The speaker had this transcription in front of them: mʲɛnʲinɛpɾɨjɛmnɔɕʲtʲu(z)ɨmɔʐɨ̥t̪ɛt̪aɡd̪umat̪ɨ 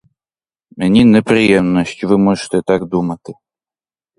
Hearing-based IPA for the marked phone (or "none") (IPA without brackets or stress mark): v